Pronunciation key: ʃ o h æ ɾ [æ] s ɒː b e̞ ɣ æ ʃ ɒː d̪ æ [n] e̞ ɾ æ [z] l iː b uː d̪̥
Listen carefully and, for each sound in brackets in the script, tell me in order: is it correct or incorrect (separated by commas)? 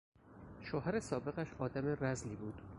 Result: incorrect, incorrect, correct